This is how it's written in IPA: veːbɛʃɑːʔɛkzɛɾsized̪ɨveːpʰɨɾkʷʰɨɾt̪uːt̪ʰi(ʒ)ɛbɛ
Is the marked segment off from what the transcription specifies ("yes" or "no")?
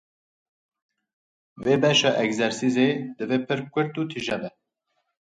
no